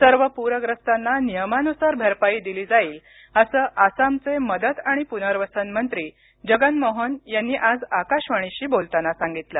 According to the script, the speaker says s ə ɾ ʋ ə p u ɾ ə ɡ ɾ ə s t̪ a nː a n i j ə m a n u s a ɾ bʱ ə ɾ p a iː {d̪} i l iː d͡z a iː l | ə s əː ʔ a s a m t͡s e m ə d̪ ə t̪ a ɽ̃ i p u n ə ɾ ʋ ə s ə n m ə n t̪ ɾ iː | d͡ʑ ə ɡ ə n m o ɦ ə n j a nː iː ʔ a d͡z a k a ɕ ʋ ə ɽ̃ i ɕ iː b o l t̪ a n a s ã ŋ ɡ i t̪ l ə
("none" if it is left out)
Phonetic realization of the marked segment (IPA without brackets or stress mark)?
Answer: d̪